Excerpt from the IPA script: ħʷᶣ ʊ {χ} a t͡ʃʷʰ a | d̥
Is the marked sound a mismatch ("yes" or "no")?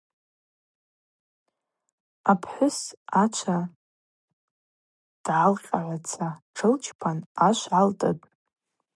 yes